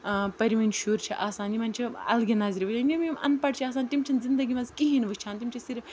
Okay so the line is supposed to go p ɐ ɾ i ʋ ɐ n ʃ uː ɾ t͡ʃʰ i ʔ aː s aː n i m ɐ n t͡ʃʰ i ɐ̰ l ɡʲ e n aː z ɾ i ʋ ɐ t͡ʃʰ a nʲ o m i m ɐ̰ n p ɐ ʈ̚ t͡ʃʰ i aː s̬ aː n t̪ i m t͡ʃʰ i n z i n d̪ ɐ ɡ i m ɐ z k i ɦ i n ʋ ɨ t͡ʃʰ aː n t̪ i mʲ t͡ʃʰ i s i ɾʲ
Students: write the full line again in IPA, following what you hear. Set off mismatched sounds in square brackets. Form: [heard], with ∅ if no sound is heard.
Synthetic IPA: p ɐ ɾ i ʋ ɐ n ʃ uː ɾ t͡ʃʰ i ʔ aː s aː n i m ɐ n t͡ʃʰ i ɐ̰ l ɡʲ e n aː z ɾ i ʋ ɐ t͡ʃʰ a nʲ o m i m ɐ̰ n p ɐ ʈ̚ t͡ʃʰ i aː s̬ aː n t̪ i m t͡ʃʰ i n z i n d̪ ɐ ɡ i m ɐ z k i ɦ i n ʋ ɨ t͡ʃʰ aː n t̪ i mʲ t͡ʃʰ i s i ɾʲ